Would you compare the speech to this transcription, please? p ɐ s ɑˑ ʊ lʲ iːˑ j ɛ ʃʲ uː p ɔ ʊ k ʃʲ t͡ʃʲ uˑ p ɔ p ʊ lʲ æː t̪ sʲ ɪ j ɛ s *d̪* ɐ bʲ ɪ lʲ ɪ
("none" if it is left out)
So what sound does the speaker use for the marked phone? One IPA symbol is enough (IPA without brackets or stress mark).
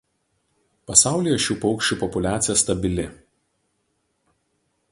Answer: t̪